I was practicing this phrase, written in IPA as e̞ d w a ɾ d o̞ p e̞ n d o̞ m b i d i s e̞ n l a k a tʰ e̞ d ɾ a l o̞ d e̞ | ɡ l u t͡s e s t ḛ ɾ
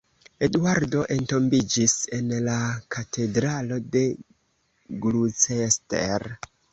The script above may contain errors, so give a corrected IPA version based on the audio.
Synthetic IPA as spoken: e̞ d w a ɾ d o̞ ʔ e̞ n t o̞ m b i d͡ʒ i s e̞ n l a k a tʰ e̞ d ɾ a l o̞ d e̞ | ɡ l u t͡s e s t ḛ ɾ